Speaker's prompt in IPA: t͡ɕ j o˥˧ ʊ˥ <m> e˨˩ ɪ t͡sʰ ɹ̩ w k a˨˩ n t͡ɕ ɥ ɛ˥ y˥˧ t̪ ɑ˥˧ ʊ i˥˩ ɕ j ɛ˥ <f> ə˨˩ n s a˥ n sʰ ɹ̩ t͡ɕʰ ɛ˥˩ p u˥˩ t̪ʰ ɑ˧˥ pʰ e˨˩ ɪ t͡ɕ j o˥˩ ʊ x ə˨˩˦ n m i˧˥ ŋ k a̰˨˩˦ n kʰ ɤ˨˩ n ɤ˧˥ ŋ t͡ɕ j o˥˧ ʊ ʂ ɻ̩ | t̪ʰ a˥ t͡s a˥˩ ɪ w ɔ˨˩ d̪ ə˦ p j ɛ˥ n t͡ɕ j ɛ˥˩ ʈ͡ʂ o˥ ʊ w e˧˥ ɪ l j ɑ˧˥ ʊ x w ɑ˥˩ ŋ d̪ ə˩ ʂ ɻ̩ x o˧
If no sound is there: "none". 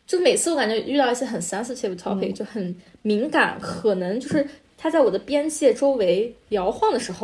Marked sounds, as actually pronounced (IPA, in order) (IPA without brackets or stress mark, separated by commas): m, x